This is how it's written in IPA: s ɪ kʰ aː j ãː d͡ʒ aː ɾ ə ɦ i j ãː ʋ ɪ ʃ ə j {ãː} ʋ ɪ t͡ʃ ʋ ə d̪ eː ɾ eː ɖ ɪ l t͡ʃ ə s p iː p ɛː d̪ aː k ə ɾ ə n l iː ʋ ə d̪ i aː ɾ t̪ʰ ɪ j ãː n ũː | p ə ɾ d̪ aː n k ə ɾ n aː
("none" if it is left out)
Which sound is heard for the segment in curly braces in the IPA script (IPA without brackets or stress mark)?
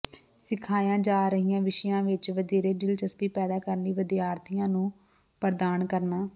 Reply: ãː